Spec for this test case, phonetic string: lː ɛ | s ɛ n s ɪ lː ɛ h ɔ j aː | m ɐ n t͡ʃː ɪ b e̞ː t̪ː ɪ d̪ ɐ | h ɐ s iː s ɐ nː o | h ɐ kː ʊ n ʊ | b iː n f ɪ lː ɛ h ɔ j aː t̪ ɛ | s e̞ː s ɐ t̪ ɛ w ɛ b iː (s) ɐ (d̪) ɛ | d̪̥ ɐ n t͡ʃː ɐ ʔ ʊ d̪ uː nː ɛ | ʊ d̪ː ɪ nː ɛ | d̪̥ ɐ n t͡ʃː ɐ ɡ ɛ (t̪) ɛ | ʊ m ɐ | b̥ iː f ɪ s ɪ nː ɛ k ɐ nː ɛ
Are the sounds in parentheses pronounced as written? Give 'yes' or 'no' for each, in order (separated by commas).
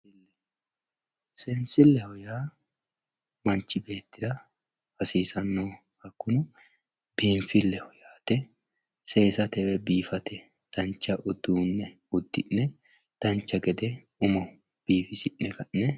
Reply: no, no, no